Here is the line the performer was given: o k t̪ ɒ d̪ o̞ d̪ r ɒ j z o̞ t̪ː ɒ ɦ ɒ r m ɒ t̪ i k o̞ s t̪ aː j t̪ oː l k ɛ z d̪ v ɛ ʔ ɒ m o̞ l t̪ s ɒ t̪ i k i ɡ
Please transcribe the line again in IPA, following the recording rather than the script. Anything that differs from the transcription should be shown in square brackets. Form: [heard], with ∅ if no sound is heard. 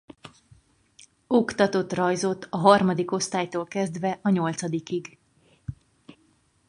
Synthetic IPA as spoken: o k t̪ ɒ [t̪] o̞ [t̪] r ɒ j z o̞ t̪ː ɒ ɦ ɒ r m ɒ [d̪] i k o̞ s t̪ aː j t̪ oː l k ɛ z d̪ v ɛ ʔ ɒ [ɲ] o̞ l t̪ s ɒ [d̪] i k i ɡ